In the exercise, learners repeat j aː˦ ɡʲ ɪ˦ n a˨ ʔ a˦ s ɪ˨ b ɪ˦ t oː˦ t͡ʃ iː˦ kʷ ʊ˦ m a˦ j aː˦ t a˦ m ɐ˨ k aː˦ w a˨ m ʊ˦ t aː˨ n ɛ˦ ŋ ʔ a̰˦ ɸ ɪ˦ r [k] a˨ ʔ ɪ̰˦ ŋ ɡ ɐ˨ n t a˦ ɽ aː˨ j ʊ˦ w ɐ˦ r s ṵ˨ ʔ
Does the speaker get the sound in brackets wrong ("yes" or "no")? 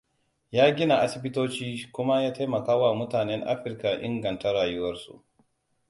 no